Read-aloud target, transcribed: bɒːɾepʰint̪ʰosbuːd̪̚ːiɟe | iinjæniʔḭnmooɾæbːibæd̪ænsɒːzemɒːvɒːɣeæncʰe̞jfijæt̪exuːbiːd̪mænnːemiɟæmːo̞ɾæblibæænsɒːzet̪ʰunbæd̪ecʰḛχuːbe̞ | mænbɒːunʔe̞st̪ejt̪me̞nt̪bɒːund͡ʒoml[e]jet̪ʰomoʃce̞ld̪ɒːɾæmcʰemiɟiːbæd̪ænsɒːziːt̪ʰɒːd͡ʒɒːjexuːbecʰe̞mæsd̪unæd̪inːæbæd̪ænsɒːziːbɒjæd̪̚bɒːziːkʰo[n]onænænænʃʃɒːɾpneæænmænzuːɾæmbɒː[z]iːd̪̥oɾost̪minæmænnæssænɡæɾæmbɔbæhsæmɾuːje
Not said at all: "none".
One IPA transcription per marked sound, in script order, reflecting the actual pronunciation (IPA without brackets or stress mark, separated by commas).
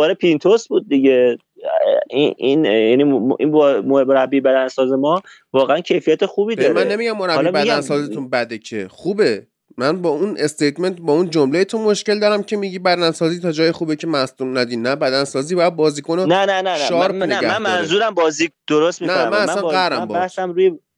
e, n, z